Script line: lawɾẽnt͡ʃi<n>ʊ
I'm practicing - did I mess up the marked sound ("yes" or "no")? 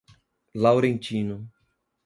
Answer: no